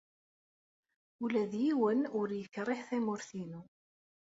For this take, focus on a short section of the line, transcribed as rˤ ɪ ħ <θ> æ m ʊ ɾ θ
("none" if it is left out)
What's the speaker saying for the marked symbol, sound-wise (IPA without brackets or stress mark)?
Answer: θ